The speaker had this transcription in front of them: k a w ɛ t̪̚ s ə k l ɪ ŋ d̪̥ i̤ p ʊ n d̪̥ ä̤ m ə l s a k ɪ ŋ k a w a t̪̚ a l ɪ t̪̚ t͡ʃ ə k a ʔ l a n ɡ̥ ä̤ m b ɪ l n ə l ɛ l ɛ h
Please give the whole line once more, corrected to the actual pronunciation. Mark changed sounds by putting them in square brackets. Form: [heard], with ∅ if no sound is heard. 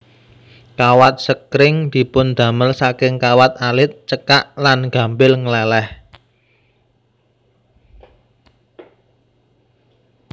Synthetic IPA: k a w [a] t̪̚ s ə k [ɾ] ɪ ŋ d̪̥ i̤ p ʊ n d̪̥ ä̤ m ə l s a k ɪ ŋ k a w a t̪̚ a l ɪ t̪̚ t͡ʃ ə k a ʔ l a n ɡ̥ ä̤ m b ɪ l [ŋ] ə l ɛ l ɛ h